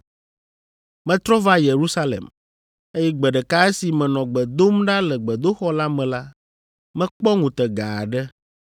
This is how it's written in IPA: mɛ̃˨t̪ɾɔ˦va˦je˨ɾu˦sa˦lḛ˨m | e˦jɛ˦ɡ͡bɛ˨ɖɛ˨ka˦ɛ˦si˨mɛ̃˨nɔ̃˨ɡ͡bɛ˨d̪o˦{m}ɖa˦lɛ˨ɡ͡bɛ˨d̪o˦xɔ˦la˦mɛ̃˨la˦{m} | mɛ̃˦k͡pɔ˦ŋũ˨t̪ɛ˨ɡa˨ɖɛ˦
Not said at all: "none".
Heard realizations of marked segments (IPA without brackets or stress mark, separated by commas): m, none